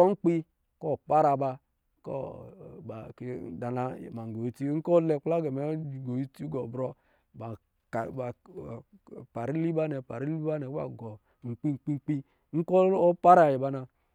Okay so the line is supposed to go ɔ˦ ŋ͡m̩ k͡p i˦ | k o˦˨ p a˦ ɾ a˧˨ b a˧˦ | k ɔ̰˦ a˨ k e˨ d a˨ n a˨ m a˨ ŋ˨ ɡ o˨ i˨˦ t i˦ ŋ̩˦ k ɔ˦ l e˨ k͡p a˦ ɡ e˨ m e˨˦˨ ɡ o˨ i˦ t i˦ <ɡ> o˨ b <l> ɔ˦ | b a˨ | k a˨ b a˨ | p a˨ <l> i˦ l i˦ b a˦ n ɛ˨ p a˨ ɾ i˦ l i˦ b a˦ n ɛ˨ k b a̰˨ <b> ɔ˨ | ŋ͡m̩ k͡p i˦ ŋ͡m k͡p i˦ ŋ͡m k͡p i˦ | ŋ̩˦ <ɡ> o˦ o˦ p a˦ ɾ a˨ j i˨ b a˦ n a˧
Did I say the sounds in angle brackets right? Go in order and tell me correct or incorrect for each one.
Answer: correct, incorrect: ɾ, incorrect: ɾ, incorrect: ɡ, incorrect: k

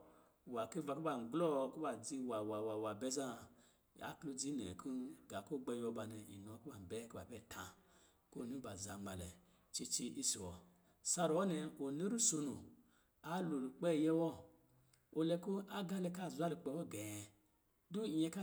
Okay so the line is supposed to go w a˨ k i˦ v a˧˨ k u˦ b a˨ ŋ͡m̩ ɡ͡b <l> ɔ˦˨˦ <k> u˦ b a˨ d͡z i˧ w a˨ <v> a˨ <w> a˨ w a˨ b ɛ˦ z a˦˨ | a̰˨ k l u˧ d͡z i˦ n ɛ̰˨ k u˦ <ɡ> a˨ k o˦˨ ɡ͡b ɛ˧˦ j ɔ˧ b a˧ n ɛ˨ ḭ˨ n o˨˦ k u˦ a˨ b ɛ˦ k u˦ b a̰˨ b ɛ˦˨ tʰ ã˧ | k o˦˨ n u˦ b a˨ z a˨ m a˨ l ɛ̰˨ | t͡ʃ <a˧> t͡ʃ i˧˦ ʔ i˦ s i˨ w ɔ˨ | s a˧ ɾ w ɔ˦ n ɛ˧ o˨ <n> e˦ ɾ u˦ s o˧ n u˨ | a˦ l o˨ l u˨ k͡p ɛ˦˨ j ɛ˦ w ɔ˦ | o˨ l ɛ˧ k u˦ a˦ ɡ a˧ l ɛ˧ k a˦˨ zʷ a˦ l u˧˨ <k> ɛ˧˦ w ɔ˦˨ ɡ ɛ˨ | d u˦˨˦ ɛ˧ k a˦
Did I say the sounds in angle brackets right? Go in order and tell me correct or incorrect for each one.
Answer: correct, correct, incorrect: w, correct, correct, incorrect: i˧, correct, incorrect: k͡p

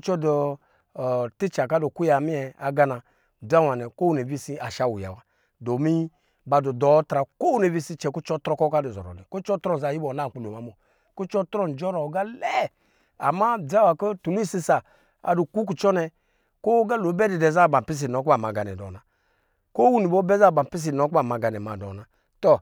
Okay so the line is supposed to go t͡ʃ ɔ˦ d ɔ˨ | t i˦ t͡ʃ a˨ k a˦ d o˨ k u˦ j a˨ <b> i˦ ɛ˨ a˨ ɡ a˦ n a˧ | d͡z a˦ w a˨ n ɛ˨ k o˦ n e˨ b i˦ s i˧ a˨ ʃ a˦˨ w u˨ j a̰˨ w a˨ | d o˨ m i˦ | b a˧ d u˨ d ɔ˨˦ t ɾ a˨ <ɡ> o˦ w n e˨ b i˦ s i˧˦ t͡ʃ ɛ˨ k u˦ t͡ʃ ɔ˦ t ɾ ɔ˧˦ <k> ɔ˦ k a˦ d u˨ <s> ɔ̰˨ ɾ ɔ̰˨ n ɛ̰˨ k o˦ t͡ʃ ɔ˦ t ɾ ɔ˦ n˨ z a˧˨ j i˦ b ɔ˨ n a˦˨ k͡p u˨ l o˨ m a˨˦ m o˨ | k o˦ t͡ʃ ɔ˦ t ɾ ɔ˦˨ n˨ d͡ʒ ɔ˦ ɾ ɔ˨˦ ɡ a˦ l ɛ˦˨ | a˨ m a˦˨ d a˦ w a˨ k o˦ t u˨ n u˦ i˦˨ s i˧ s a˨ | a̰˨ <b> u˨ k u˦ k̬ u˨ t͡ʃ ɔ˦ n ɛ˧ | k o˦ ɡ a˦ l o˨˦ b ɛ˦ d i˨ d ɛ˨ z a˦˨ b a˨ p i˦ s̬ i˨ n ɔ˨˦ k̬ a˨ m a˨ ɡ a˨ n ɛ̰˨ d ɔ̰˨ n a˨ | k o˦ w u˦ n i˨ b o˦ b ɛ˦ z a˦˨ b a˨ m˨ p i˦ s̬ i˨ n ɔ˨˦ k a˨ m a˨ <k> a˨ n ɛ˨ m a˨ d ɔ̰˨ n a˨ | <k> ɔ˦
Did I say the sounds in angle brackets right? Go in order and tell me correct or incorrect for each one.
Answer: incorrect: m, incorrect: k, correct, incorrect: z, incorrect: d, incorrect: ɡ, incorrect: t

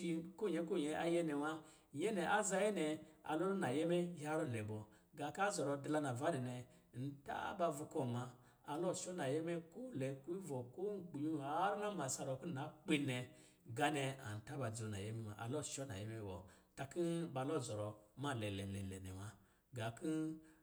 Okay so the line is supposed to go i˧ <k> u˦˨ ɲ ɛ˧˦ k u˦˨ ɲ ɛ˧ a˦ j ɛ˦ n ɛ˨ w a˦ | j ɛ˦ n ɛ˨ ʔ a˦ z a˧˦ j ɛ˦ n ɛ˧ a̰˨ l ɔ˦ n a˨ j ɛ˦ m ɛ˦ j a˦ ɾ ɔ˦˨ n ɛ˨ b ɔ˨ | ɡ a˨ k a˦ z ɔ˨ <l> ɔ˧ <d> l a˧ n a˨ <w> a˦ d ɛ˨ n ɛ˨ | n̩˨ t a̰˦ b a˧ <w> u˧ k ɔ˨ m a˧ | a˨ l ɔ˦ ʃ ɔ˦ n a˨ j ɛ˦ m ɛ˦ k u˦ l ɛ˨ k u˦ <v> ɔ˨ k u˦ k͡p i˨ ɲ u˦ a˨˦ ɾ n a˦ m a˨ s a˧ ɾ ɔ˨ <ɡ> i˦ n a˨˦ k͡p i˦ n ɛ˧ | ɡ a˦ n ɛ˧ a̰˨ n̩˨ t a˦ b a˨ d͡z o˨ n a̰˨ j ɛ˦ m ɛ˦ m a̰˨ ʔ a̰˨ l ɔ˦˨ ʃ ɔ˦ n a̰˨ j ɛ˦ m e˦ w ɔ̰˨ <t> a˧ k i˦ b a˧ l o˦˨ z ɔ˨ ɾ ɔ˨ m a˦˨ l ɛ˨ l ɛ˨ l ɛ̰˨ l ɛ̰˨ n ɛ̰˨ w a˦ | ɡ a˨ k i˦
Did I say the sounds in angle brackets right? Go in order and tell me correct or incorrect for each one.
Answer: correct, incorrect: ɾ, correct, incorrect: v, incorrect: v, correct, incorrect: k, correct

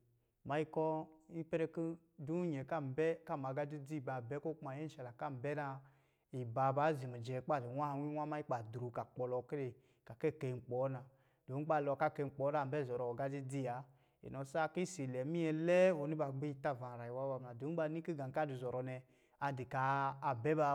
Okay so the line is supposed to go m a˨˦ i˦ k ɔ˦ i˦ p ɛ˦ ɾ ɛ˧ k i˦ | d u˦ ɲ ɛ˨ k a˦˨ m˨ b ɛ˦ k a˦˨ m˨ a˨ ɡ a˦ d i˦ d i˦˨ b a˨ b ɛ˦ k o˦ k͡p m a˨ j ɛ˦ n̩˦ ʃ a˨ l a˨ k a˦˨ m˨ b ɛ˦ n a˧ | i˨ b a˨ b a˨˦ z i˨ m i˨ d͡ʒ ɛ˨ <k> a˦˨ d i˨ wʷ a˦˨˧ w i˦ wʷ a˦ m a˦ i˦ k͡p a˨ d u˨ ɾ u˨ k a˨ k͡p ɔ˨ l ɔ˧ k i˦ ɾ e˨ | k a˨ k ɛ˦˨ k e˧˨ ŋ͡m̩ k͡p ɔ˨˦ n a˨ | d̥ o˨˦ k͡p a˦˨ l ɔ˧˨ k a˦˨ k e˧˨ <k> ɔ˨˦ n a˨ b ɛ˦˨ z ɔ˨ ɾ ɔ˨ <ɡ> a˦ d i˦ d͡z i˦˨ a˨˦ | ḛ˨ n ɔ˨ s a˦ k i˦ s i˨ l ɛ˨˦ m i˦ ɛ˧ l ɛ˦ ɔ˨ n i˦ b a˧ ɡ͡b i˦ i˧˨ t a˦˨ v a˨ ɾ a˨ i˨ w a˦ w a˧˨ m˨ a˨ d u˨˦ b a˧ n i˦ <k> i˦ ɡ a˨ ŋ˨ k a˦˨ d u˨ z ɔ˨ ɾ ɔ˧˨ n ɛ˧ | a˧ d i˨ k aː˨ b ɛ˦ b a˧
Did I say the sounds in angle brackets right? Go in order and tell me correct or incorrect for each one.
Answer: incorrect: k͡p, incorrect: k͡p, correct, correct

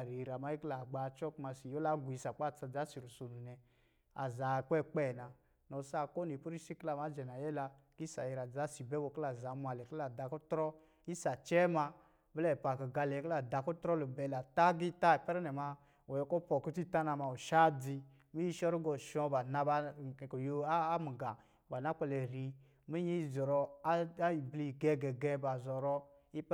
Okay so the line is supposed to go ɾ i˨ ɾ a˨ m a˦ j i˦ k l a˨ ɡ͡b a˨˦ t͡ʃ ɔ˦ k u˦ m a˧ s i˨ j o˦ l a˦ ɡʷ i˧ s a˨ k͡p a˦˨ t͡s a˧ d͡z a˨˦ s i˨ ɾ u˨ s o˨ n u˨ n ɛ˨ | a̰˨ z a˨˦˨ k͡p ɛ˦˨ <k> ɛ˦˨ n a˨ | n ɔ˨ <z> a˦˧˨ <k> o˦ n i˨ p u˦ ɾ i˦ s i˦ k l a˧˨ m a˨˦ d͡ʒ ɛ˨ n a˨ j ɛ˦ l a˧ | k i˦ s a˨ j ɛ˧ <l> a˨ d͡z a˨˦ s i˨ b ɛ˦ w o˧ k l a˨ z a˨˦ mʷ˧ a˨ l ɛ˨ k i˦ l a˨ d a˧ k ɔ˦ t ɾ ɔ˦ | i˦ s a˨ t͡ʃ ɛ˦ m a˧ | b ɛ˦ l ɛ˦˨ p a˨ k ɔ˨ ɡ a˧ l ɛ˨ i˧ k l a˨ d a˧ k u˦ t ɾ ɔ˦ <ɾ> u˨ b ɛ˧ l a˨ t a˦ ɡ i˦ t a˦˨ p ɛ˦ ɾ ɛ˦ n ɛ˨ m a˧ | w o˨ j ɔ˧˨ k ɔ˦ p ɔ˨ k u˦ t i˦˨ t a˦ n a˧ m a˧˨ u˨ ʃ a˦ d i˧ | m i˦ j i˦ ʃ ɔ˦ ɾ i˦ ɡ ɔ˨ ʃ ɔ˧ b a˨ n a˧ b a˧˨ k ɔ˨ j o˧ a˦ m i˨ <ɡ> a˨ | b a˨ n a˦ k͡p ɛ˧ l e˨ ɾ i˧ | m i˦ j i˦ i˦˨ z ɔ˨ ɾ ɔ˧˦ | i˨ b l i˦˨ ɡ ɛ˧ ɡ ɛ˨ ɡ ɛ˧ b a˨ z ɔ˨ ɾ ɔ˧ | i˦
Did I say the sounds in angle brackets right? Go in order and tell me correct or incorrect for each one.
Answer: incorrect: k͡p, incorrect: s, correct, incorrect: ɾ, incorrect: l, correct

